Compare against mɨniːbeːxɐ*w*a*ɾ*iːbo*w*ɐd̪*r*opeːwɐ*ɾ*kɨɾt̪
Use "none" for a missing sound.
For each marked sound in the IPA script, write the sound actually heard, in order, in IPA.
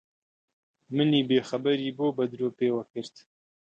b, ɾ, b, ɾ, none

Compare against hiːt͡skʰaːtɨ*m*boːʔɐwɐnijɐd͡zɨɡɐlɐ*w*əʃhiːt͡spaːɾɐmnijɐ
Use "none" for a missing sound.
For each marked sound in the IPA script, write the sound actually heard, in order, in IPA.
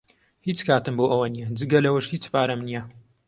m, w

